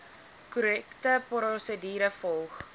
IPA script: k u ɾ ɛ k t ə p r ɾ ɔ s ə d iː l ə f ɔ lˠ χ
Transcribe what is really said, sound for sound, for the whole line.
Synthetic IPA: k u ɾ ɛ k t ə p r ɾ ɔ s ə d iː ɾ ə f ɔ lˠ χ